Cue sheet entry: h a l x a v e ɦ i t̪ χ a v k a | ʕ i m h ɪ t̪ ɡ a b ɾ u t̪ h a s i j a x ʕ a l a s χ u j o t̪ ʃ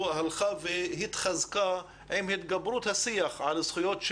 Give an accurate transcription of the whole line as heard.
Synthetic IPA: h a l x a v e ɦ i t̪ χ a z k a | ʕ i m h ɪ t̪ ɡ a b ɾ u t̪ h a s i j a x ʕ a l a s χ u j o t̪ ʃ